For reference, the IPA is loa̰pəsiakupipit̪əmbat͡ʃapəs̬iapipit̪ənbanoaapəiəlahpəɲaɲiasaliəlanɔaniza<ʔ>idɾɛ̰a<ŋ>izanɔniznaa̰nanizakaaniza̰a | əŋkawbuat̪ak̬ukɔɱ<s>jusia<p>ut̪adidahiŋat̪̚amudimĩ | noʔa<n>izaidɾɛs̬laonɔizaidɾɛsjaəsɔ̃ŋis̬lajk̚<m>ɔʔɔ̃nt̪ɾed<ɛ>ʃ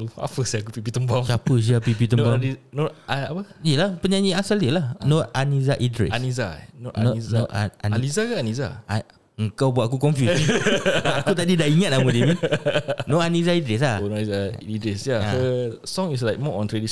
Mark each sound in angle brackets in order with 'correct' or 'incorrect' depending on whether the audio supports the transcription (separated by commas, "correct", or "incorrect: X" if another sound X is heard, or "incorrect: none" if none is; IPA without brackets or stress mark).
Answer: correct, incorrect: n, incorrect: f, incorrect: k, correct, correct, incorrect: i